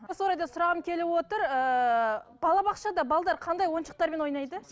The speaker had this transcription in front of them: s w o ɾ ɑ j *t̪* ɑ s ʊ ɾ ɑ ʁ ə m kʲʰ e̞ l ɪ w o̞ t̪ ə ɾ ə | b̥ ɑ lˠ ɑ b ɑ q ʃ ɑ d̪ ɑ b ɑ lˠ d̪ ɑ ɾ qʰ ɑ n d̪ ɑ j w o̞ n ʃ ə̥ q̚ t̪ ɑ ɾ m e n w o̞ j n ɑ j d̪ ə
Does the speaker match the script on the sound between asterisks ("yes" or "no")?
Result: no